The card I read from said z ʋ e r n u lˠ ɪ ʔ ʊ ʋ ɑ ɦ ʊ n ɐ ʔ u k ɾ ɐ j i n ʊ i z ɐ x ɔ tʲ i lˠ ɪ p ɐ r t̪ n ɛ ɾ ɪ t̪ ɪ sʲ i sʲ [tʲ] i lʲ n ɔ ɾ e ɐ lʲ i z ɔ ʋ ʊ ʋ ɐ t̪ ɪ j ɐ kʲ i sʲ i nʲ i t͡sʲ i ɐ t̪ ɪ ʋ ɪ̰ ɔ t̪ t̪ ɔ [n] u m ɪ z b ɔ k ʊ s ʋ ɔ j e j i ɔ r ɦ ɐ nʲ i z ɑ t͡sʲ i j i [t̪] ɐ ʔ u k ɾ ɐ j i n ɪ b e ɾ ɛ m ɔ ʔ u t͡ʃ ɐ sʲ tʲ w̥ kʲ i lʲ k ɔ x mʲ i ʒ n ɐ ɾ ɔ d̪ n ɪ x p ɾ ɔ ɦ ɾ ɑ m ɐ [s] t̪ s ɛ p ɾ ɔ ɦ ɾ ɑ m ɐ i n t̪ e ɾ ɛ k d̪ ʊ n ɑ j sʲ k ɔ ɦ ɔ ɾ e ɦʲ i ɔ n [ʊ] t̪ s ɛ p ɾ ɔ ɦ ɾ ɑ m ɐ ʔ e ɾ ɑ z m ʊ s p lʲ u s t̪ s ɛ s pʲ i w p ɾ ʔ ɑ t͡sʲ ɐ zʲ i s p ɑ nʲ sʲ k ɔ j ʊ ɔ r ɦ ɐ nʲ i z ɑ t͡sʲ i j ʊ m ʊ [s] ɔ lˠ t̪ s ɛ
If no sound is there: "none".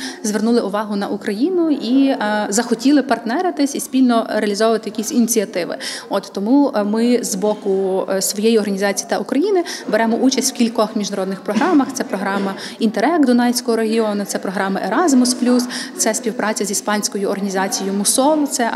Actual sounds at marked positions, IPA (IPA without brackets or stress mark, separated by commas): pʲ, m, t̪, x, ʊ, s